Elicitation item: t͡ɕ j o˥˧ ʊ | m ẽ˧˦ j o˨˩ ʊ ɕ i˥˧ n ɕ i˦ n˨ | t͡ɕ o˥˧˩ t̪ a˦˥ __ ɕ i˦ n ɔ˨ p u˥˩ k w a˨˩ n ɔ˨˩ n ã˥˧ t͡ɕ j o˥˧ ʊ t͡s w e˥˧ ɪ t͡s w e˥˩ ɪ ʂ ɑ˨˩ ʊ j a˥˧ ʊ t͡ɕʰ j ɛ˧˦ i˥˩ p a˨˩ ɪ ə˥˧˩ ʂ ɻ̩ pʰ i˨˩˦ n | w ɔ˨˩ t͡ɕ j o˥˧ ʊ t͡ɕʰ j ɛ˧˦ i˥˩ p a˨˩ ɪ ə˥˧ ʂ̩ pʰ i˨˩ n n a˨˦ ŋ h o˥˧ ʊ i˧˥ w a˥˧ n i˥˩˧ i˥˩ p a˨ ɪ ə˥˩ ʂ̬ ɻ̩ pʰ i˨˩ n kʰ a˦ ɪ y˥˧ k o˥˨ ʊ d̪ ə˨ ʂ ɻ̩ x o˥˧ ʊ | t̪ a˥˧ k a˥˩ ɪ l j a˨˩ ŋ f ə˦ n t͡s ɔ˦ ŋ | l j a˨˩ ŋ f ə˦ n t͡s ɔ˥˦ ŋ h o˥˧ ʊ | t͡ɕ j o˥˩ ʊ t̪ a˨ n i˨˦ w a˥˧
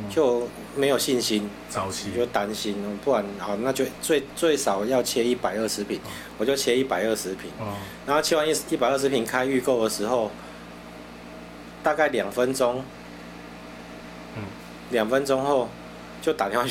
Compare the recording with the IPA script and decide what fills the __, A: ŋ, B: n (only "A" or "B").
B